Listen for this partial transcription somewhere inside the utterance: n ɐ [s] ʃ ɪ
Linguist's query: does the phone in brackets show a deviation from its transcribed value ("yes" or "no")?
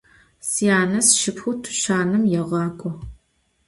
no